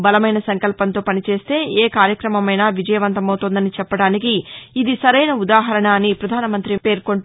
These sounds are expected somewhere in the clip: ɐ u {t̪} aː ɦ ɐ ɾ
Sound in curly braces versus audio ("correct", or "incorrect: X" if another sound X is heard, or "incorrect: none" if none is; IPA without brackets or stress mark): incorrect: d̪